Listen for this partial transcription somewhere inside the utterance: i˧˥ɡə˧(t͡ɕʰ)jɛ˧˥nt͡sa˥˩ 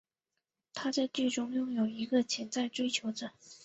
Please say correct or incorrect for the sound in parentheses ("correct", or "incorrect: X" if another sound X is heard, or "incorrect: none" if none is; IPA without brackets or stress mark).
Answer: correct